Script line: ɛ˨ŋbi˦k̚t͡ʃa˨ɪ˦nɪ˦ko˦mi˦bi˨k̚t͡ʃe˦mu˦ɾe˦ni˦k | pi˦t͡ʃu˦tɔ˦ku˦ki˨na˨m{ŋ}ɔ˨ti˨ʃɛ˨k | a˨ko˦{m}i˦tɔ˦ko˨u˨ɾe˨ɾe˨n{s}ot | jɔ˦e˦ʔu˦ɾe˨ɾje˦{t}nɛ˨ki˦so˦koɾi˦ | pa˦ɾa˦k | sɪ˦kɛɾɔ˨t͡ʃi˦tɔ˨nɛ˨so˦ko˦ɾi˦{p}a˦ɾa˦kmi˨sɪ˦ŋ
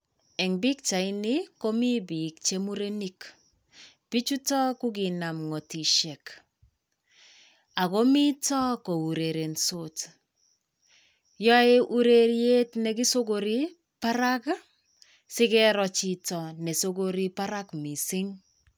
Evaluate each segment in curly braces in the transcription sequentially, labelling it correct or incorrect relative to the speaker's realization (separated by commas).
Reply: correct, correct, correct, correct, correct